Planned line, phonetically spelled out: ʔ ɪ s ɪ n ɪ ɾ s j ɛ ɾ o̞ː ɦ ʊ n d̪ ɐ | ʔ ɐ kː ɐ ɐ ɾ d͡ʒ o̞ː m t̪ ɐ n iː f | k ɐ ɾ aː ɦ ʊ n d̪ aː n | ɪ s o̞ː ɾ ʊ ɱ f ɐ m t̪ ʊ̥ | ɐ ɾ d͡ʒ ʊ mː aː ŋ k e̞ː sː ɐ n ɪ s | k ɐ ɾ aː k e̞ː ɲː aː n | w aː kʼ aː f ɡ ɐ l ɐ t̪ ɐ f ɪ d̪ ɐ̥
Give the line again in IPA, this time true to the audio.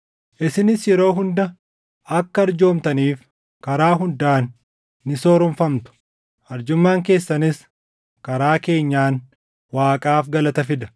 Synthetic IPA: ʔ ɪ s ɪ n ɪ s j ɛ ɾ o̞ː ɦ ʊ n d̪ ɐ | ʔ ɐ kː ɐ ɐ ɾ d͡ʒ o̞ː m t̪ ɐ n iː f | k ɐ ɾ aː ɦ ʊ n d̪ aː nː | ɪ s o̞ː ɾ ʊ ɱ f ɐ m t̪ ʊ̥ | ɐ ɾ d͡ʒ ʊ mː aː ŋ k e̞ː sː ɐ n ɪ s | k ɐ ɾ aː k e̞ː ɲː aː n | w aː kʼ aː f ɡ ɐ l ɐ t̪ ɐ f ɪ d̪ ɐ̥